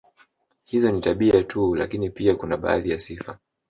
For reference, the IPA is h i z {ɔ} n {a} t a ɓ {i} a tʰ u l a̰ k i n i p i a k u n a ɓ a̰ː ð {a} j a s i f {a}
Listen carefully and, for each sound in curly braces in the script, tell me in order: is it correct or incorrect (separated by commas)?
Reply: correct, incorrect, correct, incorrect, correct